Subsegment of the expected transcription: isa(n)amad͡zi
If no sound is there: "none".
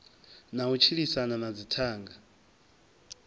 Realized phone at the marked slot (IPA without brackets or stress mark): n